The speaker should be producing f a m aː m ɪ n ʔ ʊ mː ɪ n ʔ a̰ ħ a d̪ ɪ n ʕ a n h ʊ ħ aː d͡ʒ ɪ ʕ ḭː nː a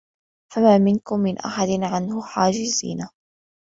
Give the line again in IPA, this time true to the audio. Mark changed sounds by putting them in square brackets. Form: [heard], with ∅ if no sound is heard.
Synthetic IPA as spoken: f a m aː m ɪ n [k] ʊ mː ɪ n ʔ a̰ ħ a d̪ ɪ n ʕ a n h ʊ ħ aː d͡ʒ ɪ [z] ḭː [n] a